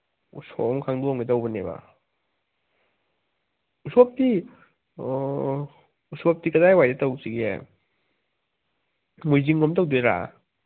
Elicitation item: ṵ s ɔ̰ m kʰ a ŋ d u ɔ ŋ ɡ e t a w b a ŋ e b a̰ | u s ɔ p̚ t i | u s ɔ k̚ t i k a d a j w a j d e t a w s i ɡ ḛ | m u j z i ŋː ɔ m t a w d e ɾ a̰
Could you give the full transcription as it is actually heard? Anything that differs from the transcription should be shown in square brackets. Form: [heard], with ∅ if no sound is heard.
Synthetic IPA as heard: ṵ s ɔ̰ m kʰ a ŋ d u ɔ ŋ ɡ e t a w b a [n] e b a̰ | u s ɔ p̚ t i | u s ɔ [p̚] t i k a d a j w a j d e t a w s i ɡ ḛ | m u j z i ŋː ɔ m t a w d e ɾ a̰